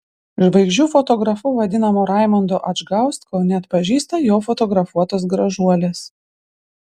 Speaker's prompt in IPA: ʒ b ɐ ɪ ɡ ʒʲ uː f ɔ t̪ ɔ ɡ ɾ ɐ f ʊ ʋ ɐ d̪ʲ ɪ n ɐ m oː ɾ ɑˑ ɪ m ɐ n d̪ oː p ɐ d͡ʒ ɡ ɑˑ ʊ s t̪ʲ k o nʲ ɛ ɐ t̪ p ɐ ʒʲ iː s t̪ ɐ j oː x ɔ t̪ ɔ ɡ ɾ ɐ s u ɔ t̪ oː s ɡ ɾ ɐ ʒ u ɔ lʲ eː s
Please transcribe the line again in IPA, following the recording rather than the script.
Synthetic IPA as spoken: ʒ b ɐ ɪ ɡ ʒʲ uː f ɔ t̪ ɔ ɡ ɾ ɐ f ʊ ʋ ɐ d̪ʲ ɪ n ɐ m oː ɾ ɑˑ ɪ m ɐ n d̪ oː ʔ ɐ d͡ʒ ɡ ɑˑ ʊ s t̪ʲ k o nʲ ɛ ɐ t̪ p ɐ ʒʲ iː s t̪ ɐ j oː f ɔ t̪ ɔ ɡ ɾ ɐ f u ɔ t̪ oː s ɡ ɾ ɐ ʒ u ɔ lʲ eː s